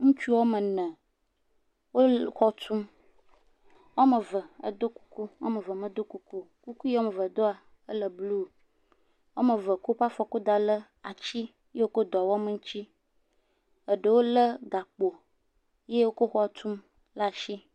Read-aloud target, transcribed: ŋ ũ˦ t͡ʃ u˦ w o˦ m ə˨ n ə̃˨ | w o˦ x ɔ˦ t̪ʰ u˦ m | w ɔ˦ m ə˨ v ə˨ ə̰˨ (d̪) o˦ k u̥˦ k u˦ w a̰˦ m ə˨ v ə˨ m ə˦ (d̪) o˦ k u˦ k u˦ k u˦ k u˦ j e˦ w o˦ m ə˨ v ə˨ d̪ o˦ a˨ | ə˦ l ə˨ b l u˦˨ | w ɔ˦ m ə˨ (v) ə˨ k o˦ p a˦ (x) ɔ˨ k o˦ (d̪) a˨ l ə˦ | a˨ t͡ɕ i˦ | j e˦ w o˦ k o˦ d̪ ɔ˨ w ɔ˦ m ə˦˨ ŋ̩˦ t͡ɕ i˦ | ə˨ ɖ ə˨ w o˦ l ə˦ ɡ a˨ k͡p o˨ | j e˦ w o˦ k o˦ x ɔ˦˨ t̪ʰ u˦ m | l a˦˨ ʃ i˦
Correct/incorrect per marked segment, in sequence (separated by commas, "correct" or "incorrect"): correct, correct, correct, incorrect, correct